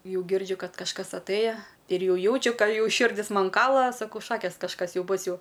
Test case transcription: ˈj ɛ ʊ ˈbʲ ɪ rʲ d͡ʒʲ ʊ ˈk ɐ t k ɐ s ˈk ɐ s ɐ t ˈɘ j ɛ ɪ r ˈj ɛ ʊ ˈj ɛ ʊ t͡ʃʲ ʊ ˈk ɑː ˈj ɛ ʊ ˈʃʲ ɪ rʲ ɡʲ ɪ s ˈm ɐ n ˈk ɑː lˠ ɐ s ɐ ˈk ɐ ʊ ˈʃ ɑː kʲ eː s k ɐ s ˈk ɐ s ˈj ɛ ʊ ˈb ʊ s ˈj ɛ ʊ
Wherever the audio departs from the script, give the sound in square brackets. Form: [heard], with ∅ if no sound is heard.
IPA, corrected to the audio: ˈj ɛ ʊ [ˈɡʲ] ɪ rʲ d͡ʒʲ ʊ ˈk ɐ t k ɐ [ʃ] ˈk ɐ s ɐ t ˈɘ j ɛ ɪ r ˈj ɛ ʊ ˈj ɛ ʊ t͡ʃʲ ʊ ˈk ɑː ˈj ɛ ʊ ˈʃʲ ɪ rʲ [dʲ] ɪ s ˈm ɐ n ˈk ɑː lˠ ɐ s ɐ ˈk ɐ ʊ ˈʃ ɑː kʲ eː s k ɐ [ʃ] ˈk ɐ s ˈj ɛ ʊ ˈb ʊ s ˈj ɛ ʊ